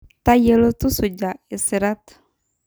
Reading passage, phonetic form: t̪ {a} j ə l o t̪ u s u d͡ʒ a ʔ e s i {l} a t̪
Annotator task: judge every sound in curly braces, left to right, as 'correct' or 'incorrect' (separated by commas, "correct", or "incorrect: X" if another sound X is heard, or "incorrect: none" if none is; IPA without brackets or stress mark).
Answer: correct, incorrect: ɾ